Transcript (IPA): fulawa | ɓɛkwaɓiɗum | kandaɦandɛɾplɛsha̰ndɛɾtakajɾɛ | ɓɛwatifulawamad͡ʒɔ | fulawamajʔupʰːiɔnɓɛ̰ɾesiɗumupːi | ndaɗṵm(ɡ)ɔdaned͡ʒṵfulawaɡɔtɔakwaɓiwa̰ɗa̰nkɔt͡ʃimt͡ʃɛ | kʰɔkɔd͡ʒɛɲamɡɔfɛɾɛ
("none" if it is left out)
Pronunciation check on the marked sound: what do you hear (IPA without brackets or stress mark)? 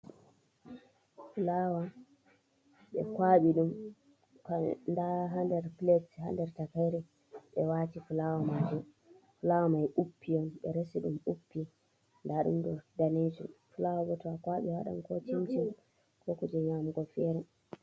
d